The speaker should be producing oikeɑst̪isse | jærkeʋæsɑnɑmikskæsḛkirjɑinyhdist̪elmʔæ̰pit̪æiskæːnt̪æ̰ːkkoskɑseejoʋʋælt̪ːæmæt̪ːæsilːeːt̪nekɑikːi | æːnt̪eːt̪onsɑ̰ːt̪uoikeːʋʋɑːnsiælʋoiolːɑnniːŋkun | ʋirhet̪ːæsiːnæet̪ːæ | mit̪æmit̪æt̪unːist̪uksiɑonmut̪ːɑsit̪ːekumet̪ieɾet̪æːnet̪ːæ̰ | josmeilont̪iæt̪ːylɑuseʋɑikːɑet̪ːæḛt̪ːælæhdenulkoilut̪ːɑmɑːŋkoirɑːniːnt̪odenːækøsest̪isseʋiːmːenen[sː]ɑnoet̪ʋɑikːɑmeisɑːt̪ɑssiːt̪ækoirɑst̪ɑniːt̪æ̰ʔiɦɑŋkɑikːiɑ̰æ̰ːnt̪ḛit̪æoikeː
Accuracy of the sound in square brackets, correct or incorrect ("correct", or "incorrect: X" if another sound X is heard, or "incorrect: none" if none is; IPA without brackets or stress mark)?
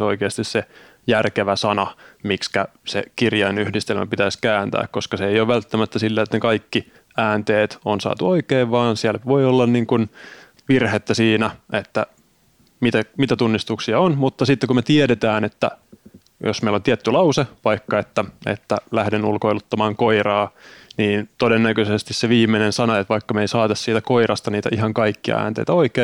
incorrect: s